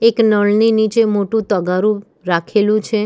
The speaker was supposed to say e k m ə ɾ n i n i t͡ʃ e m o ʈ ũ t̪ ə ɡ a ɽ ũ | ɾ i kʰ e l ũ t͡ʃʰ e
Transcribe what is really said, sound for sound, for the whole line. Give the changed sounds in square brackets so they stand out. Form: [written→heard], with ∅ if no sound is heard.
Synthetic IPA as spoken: e k [m→n] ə [ɾ→ɭ] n i n i t͡ʃ e m o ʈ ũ t̪ ə ɡ a [ɽ→ɾ] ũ | ɾ [i→a] kʰ e l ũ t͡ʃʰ e